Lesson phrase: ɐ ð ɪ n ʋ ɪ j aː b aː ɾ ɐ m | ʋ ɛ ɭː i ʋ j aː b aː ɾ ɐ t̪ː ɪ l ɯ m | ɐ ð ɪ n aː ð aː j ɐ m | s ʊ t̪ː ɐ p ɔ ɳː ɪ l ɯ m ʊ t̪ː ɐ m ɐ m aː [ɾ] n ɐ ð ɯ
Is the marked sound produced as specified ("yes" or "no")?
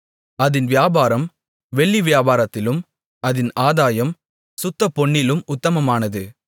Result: no